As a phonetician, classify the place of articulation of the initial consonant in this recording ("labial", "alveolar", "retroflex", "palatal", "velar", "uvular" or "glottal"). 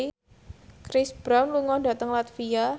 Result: velar